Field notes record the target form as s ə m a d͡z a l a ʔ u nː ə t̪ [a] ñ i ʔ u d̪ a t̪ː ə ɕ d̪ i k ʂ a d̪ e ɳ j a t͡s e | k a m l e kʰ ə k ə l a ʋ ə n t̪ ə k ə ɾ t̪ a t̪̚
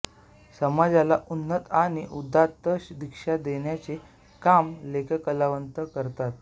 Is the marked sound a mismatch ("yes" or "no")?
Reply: no